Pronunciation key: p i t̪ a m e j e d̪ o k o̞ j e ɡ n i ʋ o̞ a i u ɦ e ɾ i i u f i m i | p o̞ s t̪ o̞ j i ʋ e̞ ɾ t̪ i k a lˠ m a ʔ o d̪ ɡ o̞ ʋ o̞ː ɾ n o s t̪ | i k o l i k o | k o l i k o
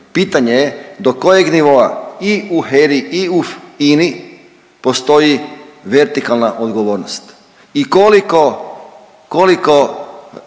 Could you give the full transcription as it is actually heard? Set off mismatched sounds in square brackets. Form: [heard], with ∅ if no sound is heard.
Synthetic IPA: p i t̪ a [ɲ] e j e d̪ o k o̞ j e ɡ n i ʋ o̞ a i u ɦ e ɾ i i u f i [n] i | p o̞ s t̪ o̞ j i ʋ e̞ ɾ t̪ i k a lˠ [n] a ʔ o d̪ ɡ o̞ ʋ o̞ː ɾ n o s t̪ | i k o l i k o | k o l i k o